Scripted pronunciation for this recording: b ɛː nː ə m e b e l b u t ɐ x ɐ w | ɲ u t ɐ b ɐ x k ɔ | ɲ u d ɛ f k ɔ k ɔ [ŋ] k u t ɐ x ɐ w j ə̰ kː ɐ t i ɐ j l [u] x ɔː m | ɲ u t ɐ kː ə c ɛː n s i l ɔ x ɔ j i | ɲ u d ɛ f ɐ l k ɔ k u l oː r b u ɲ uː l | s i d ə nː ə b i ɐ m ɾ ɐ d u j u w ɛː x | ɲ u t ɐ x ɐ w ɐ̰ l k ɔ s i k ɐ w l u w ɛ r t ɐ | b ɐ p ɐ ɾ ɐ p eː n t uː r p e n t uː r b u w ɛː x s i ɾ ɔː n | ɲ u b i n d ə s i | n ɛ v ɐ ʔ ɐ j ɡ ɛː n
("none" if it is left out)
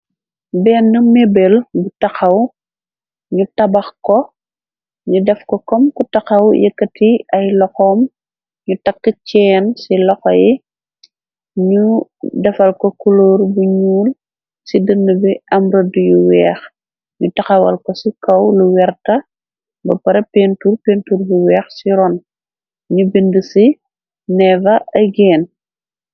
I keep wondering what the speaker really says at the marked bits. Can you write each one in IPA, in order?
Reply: m, ɔ

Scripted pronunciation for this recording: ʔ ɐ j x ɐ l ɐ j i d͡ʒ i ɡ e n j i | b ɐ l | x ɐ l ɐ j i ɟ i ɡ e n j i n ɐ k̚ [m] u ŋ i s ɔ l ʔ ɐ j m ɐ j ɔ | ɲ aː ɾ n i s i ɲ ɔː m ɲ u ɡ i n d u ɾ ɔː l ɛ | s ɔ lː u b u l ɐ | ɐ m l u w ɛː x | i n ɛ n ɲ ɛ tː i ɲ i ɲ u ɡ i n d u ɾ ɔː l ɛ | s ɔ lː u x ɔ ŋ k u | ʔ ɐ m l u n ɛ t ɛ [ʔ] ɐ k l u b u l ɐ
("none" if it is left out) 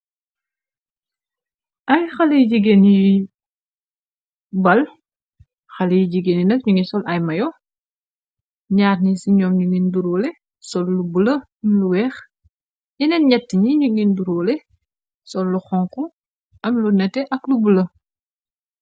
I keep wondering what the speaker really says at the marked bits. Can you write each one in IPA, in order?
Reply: ɲ, ʔ

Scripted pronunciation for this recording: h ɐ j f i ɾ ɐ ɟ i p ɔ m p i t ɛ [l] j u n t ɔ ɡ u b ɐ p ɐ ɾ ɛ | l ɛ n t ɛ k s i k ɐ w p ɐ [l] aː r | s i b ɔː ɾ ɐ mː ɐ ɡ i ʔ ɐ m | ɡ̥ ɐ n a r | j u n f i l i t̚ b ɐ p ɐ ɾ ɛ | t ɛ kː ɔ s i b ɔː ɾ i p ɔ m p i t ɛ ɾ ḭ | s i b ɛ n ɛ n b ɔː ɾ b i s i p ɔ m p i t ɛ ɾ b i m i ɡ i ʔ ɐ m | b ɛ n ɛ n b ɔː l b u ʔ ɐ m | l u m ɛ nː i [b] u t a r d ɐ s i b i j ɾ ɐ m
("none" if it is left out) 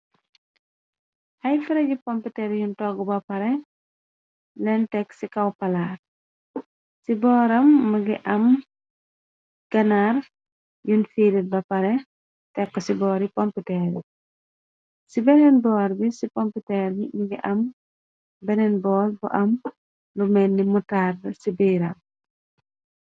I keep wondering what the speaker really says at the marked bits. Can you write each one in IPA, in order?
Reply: ɾ, l, m

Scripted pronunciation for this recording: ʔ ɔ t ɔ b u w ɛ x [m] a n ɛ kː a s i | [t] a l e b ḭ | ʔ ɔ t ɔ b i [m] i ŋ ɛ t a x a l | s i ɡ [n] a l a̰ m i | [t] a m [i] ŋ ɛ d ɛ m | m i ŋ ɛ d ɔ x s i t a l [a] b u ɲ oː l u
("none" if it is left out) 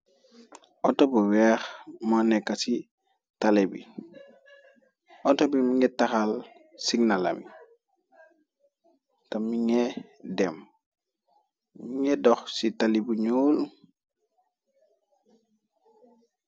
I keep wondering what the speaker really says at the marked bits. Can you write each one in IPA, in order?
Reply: m, t, m, n, t, i, i

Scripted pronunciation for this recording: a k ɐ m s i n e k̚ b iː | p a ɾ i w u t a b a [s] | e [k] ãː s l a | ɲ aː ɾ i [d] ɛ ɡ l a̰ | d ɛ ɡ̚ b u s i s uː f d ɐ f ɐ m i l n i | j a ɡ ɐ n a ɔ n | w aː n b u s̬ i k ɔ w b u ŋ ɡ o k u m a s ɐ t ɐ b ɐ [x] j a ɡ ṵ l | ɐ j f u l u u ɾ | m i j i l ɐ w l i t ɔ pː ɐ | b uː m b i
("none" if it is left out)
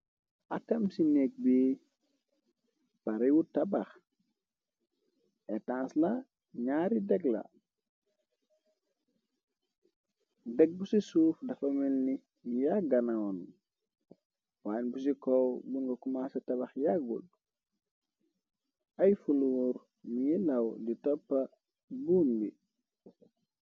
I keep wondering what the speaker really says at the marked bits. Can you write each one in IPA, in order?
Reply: x, t, d, x

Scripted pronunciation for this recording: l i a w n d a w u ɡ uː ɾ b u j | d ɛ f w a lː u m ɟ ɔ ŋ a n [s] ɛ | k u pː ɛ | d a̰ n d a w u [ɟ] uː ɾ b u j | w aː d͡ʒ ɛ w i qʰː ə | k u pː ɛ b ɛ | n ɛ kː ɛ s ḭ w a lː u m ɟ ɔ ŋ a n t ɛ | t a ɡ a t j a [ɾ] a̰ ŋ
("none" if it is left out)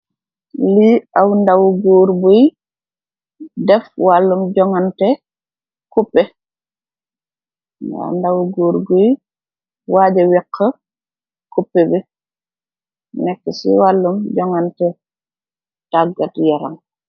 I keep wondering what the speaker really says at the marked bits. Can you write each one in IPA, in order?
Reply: t, ɡ, ɾ

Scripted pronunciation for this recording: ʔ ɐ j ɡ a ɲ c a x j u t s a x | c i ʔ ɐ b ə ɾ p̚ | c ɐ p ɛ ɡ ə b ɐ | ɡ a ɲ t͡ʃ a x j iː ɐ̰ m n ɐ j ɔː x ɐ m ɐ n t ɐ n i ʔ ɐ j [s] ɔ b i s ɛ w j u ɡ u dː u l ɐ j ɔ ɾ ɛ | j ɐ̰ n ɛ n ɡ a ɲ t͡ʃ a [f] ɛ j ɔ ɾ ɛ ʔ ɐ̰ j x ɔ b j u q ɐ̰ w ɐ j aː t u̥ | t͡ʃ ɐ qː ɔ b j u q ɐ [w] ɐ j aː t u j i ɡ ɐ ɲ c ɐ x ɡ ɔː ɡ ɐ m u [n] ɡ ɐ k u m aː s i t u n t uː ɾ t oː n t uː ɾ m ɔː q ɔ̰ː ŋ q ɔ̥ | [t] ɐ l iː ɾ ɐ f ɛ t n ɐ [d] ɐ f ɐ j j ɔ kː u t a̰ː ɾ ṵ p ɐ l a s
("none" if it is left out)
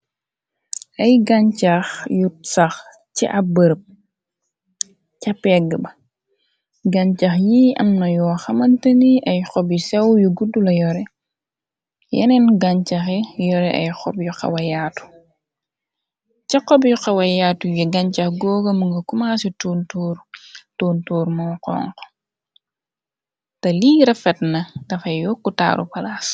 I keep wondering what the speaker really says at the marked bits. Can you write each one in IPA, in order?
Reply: x, x, w, ŋ, t, d

